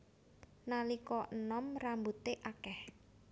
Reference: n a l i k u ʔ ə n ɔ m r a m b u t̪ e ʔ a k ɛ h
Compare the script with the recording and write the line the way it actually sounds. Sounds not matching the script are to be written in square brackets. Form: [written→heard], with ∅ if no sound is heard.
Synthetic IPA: n a l i k [u→ɔ] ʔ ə n ɔ m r a m b u t̪ e ʔ a k ɛ h